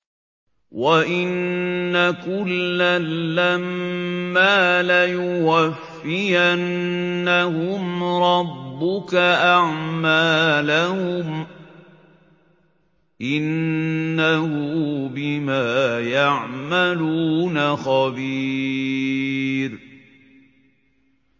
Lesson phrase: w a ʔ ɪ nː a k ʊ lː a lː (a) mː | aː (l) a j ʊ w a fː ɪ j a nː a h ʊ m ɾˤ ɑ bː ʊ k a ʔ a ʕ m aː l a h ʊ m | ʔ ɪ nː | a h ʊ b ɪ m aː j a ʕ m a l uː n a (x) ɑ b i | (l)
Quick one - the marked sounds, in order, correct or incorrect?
correct, correct, correct, incorrect: ɾ

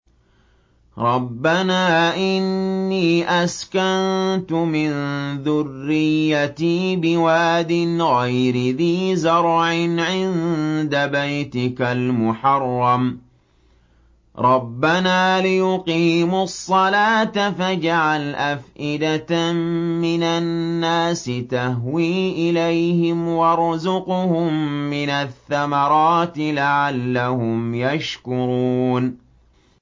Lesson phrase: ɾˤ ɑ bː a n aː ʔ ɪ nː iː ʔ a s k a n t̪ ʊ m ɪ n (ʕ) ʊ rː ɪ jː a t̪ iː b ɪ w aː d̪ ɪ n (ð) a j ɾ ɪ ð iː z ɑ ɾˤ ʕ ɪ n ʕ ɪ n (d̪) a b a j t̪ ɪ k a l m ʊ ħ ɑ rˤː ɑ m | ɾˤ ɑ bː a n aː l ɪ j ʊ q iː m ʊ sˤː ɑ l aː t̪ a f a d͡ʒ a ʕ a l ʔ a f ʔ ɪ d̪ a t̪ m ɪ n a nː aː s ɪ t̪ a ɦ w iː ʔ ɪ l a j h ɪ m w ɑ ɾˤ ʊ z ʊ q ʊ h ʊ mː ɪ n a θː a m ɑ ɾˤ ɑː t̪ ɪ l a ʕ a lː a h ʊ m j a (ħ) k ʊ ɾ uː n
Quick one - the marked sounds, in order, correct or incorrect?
incorrect: ð, incorrect: ɣ, correct, incorrect: ʃ

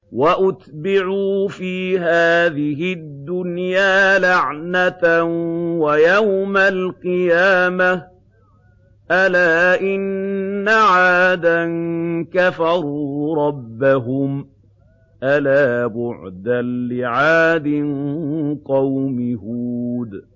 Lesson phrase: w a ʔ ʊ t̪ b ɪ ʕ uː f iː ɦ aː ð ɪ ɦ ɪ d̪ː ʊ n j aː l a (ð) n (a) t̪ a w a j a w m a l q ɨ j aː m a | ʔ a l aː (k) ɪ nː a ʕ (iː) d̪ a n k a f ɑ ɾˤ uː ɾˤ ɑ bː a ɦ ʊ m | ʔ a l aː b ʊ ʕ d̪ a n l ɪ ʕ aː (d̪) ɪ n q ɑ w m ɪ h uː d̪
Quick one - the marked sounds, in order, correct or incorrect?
incorrect: ʕ, correct, incorrect: ʔ, incorrect: aː, correct

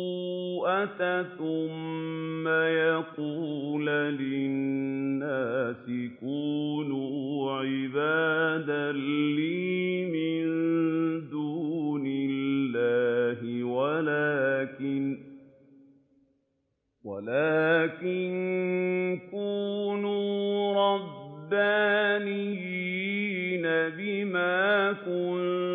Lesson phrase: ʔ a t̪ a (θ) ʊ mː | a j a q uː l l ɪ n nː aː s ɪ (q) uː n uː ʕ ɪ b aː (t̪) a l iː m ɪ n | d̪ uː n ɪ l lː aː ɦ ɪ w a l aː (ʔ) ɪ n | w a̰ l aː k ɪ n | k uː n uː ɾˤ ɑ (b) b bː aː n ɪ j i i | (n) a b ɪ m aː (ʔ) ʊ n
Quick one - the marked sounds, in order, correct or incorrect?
correct, incorrect: k, incorrect: d̪, incorrect: k, correct, correct, incorrect: k

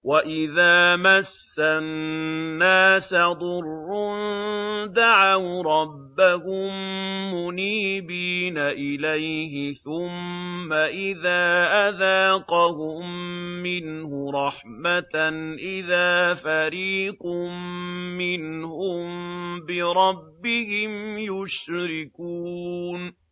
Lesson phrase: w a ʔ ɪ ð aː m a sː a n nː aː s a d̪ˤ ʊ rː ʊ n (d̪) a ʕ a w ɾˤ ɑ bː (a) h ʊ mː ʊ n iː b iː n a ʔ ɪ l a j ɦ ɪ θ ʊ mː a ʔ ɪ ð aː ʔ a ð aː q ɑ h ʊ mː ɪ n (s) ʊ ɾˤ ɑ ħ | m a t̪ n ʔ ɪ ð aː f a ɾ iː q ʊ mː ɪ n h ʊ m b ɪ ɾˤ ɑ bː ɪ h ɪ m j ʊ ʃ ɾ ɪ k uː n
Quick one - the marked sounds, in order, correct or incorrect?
correct, correct, incorrect: h

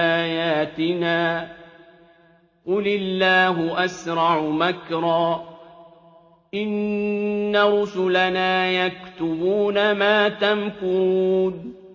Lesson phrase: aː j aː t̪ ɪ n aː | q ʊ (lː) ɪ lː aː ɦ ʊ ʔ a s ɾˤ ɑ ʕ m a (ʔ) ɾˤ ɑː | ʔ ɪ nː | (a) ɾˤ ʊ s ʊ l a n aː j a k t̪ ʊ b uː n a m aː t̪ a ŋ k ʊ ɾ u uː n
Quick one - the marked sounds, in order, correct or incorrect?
incorrect: l, incorrect: k, correct

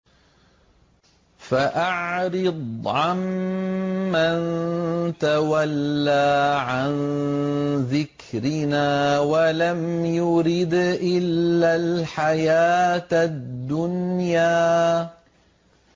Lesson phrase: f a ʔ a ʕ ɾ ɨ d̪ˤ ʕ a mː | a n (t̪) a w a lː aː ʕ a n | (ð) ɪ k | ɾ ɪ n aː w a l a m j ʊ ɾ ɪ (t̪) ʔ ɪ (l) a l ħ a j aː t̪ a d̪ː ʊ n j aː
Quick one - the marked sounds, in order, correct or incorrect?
correct, correct, incorrect: d̪, incorrect: lː

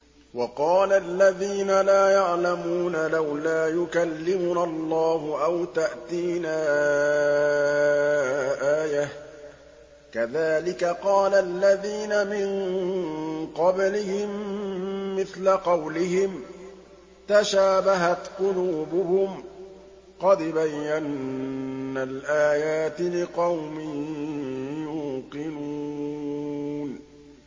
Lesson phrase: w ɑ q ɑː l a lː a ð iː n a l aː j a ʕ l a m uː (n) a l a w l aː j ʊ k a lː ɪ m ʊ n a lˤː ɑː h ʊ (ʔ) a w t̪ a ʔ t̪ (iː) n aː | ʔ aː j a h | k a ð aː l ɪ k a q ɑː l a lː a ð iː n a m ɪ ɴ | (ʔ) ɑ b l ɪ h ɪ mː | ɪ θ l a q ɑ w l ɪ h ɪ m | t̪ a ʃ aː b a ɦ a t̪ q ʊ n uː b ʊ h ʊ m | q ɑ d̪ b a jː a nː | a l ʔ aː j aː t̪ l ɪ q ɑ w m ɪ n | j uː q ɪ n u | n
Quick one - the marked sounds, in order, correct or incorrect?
correct, correct, correct, incorrect: q

